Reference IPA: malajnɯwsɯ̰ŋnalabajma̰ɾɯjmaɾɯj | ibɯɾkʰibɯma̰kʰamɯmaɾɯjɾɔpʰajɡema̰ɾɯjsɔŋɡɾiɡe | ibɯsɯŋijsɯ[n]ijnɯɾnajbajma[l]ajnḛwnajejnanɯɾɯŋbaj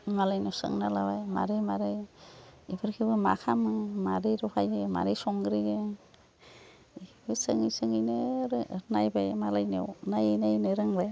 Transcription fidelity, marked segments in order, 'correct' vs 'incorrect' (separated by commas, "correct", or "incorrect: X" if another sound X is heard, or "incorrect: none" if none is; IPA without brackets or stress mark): incorrect: ŋ, correct